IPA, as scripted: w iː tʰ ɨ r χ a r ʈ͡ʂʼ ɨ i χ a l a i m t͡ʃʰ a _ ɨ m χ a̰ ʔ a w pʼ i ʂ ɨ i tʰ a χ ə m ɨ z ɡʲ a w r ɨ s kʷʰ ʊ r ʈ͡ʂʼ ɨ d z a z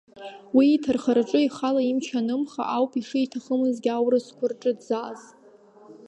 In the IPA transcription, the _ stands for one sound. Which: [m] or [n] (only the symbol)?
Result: n